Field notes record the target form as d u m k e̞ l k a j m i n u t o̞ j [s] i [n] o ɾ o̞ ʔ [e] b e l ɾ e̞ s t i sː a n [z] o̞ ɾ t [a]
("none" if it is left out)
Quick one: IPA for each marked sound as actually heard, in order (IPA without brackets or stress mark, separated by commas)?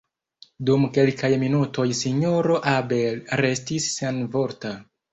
s, ɲ, a, v, a